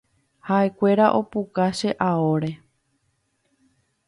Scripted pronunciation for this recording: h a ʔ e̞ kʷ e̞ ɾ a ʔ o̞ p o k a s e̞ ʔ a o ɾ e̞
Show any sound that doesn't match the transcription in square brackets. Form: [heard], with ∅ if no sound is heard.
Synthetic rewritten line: h a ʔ e̞ kʷ e̞ ɾ a ʔ o̞ p [u] k a [ʃ] e̞ ʔ a o ɾ e̞